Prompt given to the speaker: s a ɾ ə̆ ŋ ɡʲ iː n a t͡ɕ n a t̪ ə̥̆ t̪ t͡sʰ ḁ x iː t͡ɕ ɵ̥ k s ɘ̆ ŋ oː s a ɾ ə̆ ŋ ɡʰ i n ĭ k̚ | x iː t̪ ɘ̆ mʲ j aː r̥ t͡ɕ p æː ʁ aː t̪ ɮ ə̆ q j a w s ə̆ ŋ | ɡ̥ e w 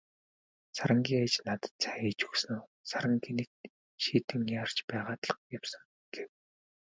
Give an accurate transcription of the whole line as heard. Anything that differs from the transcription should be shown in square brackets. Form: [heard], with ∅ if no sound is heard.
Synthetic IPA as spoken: s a ɾ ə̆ ŋ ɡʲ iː [ŋ] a t͡ɕ n a t̪ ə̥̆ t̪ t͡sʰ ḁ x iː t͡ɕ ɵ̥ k s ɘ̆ [n] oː s a ɾ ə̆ ŋ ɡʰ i n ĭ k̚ | [ʃ] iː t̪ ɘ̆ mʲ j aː r̥ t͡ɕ p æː ʁ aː t̪ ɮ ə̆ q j a w s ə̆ ŋ | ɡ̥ e w